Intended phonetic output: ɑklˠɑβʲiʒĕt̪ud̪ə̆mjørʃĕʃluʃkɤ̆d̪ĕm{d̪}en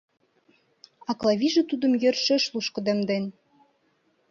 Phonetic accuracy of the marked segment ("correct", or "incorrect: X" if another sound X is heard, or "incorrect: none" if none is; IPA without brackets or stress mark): correct